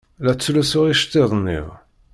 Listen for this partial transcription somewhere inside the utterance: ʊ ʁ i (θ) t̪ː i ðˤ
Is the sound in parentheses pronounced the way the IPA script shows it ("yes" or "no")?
no